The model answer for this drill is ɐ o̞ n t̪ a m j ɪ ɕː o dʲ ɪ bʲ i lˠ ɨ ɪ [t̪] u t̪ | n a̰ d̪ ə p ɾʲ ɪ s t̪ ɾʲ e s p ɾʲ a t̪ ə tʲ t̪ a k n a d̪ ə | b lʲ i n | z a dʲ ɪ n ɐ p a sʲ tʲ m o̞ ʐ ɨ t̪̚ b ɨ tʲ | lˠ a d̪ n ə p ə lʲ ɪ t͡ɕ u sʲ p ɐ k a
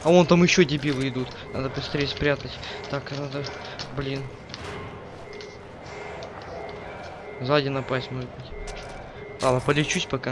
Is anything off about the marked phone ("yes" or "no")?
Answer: yes